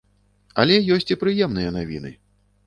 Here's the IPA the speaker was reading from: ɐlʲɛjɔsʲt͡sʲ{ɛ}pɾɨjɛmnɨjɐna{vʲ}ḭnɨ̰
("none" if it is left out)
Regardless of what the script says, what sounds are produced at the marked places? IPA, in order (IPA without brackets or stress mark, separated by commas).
i, vʲ